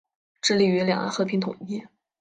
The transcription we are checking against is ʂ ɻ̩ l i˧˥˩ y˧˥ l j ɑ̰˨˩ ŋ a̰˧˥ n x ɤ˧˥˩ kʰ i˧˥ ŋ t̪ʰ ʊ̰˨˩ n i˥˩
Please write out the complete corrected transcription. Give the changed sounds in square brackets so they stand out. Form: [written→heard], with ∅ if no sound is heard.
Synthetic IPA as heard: [ʂ→ʈ͡ʂ] ɻ̩ l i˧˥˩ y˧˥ l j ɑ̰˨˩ ŋ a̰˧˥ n x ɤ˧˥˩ [kʰ→pʰ] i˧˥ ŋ t̪ʰ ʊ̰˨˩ [n→ŋ] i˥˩